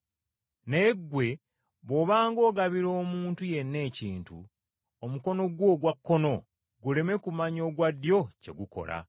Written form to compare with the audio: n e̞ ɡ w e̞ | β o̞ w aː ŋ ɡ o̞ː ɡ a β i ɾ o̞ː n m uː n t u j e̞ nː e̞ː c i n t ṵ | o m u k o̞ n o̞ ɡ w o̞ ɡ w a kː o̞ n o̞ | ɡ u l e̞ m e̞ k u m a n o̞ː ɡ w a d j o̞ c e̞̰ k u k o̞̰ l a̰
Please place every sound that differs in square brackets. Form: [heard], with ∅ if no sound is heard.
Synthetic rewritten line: n e̞ ɡ w e̞ | β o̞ [β] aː ŋ ɡ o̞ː ɡ a β i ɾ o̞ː [∅] m uː n t u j e̞ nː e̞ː c [iː] n t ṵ | o m u k o̞ n o̞ ɡ w o̞ ɡ w a kː o̞ n o̞ | ɡ u l e̞ m e̞ k u m a [ɲ] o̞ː ɡ w a d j o̞ c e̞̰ [ɡ] u k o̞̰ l a̰